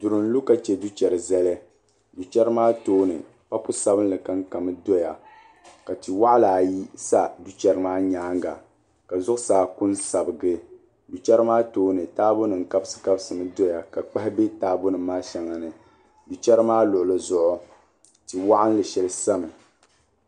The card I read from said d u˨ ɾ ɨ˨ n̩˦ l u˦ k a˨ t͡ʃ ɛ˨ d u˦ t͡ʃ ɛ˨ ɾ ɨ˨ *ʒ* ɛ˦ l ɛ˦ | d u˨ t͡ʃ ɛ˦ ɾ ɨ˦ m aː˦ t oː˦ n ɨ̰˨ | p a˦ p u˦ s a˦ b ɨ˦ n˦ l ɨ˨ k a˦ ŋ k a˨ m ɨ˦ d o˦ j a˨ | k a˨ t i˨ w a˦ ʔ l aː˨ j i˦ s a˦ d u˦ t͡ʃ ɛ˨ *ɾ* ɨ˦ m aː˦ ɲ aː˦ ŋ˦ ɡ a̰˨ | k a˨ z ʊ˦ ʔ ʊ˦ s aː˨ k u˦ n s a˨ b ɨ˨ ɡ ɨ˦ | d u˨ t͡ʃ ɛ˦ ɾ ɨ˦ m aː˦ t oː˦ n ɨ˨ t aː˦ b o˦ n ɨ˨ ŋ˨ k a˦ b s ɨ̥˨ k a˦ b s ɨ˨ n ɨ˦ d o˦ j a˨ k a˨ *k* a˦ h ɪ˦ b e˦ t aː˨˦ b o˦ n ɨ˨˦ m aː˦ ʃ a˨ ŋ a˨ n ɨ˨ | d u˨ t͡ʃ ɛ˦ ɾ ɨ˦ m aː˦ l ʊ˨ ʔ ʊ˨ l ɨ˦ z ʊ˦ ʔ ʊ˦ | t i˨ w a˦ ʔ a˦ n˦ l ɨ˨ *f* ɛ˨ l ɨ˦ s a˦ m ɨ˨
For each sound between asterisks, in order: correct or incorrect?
incorrect, correct, incorrect, incorrect

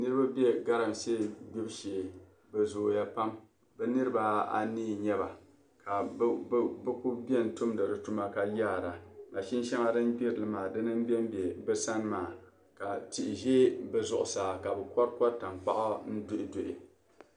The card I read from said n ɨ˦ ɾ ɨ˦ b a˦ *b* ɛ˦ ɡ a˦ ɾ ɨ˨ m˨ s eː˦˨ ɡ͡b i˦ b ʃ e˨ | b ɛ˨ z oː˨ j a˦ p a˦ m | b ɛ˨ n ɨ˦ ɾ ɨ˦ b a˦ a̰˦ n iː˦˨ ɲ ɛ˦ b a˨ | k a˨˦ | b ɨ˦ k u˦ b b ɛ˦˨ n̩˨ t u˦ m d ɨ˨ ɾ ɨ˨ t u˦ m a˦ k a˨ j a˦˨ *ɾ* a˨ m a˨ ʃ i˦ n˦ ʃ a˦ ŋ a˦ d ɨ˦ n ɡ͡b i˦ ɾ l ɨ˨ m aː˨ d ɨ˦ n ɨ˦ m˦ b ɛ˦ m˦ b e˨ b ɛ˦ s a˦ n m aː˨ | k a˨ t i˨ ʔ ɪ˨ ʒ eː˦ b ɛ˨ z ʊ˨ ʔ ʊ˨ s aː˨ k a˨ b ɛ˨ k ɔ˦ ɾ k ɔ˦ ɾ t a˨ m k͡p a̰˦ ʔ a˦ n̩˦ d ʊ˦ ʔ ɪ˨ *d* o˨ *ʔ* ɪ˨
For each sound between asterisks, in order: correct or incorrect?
correct, correct, correct, correct

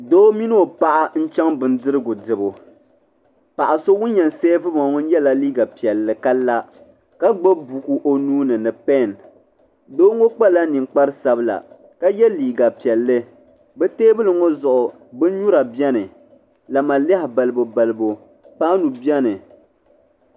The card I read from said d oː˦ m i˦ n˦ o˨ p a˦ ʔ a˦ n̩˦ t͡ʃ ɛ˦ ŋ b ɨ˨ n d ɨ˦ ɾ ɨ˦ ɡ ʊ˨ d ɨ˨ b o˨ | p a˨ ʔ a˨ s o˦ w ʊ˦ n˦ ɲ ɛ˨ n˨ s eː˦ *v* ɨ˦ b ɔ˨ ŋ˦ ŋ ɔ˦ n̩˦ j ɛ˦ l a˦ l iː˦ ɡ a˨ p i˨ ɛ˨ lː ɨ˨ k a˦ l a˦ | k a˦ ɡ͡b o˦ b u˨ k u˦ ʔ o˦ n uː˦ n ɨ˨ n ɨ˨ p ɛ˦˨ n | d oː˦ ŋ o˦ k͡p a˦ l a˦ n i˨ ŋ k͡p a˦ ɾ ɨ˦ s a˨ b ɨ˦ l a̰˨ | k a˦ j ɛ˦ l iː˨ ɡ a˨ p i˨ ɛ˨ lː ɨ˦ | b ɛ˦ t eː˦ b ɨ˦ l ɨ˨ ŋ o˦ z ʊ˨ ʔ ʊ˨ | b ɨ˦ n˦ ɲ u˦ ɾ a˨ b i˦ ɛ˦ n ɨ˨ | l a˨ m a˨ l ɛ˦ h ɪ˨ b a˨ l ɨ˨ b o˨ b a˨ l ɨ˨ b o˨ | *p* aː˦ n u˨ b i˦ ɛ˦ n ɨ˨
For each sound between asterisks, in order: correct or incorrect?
correct, correct

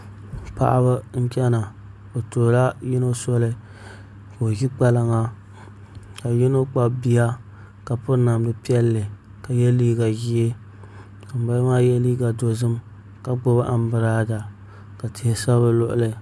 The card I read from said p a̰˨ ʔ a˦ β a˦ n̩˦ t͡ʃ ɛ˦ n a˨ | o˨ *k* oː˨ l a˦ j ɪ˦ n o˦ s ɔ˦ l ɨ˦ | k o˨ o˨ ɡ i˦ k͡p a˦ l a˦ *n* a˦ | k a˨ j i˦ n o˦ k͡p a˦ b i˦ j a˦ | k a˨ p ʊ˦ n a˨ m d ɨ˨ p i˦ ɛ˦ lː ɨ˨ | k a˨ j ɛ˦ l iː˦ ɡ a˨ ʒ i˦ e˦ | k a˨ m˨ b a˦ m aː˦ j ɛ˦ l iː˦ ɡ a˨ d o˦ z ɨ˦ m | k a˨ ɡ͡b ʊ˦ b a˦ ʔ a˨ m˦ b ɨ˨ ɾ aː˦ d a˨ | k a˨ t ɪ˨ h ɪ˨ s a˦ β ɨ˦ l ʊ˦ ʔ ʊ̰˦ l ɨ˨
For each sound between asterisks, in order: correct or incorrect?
incorrect, incorrect

